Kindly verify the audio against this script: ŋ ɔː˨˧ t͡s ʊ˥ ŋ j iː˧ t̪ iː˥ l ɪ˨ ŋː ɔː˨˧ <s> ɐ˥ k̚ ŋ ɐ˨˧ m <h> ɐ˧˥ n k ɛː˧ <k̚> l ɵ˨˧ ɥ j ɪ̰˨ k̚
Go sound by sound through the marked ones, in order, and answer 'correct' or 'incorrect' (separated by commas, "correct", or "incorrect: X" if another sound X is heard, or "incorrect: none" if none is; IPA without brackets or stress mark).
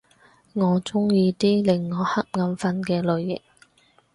incorrect: h, incorrect: f, incorrect: none